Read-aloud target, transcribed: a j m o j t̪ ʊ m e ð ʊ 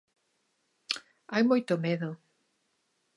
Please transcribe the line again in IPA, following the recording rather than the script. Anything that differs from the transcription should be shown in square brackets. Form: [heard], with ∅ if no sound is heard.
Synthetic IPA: a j m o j t̪ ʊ m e ð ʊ